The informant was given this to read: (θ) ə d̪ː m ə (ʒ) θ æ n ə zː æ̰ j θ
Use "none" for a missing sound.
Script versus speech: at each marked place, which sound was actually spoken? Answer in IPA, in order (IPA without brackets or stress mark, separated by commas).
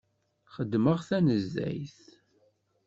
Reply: χ, ʁ